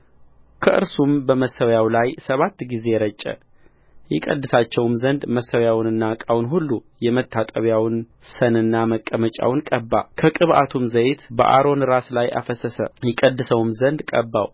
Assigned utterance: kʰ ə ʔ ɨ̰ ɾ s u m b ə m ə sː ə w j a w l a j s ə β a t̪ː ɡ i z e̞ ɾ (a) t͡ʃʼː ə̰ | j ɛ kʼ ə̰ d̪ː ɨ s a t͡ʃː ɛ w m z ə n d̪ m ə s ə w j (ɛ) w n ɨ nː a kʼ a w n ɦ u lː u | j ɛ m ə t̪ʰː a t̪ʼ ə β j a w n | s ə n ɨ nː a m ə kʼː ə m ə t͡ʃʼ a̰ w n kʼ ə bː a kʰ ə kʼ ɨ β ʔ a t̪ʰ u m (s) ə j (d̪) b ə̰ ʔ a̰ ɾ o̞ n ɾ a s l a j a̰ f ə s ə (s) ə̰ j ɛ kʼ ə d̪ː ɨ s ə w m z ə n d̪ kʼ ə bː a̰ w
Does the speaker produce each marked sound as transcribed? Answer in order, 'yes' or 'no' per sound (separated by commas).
no, no, no, no, yes